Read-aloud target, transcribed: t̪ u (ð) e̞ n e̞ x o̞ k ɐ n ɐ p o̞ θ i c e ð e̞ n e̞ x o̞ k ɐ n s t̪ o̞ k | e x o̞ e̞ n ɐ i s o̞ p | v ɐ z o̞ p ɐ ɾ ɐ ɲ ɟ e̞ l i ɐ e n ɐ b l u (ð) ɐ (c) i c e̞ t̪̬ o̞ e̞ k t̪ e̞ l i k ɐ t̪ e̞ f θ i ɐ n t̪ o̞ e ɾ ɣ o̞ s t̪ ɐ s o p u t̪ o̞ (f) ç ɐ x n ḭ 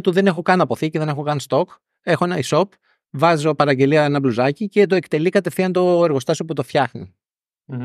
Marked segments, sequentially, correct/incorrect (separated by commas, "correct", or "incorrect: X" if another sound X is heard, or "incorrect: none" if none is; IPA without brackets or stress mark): correct, incorrect: z, correct, correct